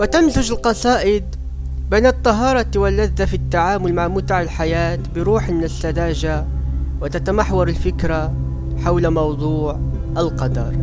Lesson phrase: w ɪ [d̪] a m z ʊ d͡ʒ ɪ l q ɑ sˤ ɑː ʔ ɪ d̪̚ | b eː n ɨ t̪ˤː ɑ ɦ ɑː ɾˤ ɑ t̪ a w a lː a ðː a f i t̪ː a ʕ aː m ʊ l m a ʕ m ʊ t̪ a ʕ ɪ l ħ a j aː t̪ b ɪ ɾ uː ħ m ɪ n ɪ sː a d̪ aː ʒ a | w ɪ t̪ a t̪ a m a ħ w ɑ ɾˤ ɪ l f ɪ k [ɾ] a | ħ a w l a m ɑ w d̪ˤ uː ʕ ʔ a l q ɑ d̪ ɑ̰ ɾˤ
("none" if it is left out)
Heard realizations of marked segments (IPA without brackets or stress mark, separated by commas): t̪, ɾ